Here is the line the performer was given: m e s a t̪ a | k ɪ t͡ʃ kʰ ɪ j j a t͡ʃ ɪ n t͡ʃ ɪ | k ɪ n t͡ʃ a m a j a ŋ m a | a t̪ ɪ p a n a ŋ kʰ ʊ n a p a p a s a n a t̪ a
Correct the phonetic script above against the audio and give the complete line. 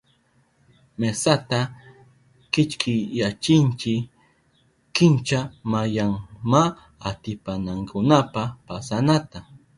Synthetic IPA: m e s a t̪ a | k ɪ t͡ʃ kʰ ɪ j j a t͡ʃ ɪ n t͡ʃ ɪ | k ɪ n t͡ʃ a m a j a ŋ m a | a t̪ ɪ p a n a ŋ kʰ ʊ n a p a p a s a n a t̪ a